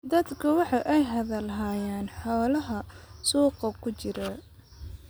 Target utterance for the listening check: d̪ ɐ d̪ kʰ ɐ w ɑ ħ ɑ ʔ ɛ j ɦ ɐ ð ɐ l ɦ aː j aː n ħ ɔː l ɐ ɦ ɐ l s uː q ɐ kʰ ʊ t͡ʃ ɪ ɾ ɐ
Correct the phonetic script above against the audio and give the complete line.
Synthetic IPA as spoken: d̪ ɐ d̪ kʰ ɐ w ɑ ħ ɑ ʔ ɛ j ɦ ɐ ð ɐ l ɦ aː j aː n ħ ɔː l ɐ ɦ ɐ s uː q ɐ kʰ ʊ t͡ʃ ɪ ɾ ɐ